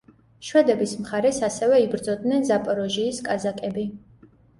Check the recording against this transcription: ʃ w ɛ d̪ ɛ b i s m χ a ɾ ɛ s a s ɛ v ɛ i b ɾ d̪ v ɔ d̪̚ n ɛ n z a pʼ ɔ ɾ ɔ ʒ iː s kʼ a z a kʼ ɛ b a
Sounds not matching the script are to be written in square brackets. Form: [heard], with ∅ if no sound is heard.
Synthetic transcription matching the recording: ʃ w ɛ d̪ ɛ b i s m χ a ɾ ɛ s a s ɛ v ɛ i b ɾ d̪ [z] ɔ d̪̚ n ɛ n z a pʼ ɔ ɾ ɔ ʒ iː s kʼ a z a kʼ ɛ b [i]